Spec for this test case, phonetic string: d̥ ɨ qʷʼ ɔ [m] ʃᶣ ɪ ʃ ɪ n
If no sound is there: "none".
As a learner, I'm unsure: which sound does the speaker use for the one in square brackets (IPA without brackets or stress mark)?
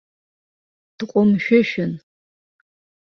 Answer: m